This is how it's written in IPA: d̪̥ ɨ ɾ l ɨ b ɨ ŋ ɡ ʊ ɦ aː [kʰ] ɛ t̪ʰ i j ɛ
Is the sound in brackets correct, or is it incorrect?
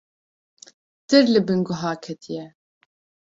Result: correct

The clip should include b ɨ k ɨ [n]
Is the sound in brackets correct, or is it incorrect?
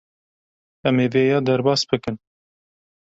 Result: correct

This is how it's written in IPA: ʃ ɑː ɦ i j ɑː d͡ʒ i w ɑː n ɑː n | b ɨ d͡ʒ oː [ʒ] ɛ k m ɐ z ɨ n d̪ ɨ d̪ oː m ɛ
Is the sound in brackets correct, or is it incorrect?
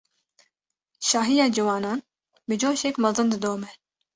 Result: incorrect: ʃ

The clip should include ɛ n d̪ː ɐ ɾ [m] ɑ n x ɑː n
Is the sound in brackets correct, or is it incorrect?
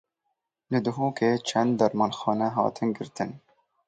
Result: correct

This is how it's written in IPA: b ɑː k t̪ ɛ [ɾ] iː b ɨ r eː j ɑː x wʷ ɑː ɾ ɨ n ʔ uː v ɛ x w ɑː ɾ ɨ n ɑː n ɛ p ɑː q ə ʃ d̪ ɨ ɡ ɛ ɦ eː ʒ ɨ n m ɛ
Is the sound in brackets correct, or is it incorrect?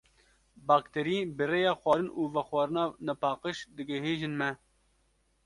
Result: correct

